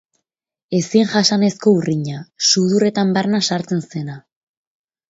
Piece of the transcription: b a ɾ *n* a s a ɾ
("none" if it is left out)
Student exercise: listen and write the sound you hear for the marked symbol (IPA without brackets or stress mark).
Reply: n